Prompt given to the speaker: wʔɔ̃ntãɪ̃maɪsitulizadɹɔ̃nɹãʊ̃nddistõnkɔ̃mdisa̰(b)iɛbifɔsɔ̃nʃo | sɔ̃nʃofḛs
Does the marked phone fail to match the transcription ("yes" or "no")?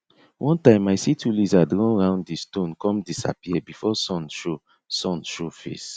yes